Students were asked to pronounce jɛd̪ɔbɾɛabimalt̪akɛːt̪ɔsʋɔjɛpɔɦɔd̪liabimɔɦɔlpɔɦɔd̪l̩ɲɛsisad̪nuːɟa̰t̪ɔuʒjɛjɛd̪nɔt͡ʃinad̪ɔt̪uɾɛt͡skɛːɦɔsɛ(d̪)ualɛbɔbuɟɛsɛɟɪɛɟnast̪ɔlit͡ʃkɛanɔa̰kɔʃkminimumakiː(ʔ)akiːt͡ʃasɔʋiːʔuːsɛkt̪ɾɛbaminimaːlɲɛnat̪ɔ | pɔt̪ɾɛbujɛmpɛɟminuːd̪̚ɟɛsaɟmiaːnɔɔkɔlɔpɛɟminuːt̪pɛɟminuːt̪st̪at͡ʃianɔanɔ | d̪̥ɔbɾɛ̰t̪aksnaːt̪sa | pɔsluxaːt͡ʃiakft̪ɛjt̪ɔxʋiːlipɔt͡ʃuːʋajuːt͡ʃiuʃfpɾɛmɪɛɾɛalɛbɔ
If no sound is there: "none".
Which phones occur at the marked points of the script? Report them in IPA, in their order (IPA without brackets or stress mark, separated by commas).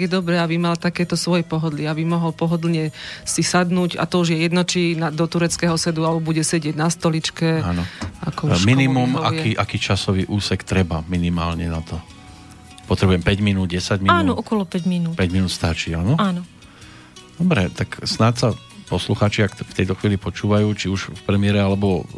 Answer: d̪, ʔ